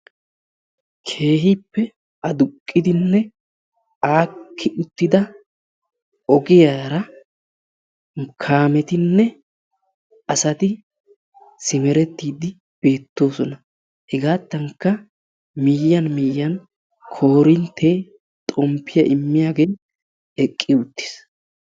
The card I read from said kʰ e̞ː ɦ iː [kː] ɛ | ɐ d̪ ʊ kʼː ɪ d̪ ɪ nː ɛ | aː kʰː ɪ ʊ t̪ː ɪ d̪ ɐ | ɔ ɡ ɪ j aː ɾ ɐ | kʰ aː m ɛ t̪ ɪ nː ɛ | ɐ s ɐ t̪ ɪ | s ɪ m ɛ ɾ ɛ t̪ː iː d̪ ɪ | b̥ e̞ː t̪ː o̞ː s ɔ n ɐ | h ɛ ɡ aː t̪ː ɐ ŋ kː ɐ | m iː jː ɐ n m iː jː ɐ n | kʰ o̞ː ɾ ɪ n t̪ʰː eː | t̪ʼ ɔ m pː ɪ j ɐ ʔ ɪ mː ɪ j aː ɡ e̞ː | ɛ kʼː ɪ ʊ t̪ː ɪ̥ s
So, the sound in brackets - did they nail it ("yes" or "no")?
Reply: no